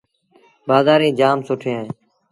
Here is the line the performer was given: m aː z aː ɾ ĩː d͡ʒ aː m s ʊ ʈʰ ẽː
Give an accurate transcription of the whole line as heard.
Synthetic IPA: b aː z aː ɾ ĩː d͡ʒ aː m s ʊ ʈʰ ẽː